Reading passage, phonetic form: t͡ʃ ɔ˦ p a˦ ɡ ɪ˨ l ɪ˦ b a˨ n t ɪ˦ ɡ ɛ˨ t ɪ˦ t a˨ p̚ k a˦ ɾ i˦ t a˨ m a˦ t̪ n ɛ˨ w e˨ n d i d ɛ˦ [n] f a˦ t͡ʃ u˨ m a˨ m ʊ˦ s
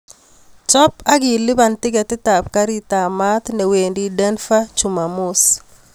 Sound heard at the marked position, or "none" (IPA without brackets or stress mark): n